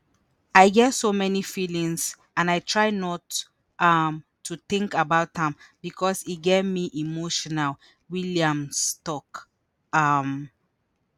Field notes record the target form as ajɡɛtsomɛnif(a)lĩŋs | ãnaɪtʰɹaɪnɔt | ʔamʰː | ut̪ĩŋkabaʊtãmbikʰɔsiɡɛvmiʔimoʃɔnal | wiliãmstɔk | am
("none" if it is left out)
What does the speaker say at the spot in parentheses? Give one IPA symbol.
i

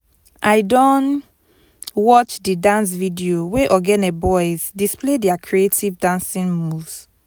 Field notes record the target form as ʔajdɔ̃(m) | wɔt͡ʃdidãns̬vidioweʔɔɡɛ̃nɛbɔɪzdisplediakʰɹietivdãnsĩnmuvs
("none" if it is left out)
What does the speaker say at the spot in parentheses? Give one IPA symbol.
n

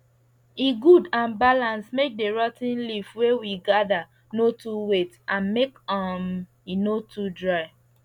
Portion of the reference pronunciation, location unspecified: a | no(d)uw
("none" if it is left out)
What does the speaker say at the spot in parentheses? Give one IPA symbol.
t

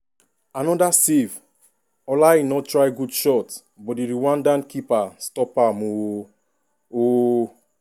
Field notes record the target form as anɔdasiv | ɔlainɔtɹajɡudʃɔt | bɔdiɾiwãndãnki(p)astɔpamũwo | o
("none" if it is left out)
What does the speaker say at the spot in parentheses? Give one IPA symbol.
p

